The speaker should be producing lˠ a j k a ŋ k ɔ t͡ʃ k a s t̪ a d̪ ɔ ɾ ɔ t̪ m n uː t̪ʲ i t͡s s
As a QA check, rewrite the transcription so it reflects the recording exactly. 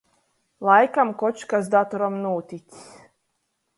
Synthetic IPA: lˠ a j k a m k ɔ t͡ʃ k a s d̪ a t̪ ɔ ɾ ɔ m n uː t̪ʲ i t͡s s